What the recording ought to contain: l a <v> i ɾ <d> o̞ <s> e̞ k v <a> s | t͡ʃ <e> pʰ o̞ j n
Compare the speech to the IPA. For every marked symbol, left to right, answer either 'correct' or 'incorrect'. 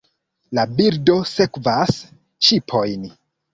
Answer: incorrect, correct, correct, correct, incorrect

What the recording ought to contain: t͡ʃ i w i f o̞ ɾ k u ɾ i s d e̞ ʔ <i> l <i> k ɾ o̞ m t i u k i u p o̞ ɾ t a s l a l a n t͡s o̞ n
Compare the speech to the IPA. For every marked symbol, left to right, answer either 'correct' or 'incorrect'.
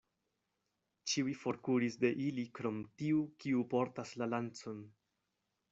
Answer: correct, correct

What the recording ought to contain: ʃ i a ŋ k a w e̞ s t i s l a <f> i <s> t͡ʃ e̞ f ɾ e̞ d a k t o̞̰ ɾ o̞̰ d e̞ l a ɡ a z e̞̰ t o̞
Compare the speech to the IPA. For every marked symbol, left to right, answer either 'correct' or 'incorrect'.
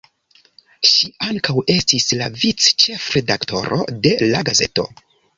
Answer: incorrect, incorrect

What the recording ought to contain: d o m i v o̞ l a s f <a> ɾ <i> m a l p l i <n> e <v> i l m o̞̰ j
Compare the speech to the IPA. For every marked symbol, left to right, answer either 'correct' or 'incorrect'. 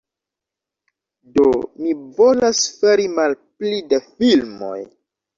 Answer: incorrect, correct, incorrect, incorrect

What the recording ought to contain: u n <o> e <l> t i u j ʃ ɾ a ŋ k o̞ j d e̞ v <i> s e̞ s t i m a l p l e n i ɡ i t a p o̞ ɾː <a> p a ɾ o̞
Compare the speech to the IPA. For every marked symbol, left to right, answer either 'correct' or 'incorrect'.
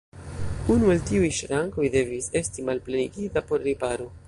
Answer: incorrect, correct, correct, incorrect

